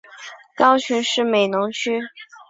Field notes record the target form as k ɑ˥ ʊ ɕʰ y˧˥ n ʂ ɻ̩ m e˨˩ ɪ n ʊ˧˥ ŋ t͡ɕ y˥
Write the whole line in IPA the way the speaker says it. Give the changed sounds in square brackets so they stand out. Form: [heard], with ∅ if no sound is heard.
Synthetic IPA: k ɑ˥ ʊ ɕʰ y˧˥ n ʂ ɻ̩ m e˨˩ ɪ n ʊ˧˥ ŋ [t͡ɕʰ] y˥